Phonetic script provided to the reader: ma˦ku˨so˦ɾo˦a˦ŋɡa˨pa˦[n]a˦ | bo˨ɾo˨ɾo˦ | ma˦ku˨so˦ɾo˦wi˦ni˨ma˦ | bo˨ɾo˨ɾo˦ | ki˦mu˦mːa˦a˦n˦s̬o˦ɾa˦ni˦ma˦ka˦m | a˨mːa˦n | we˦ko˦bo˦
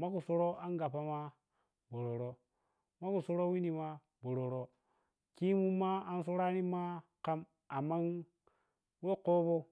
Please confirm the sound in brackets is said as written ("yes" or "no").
no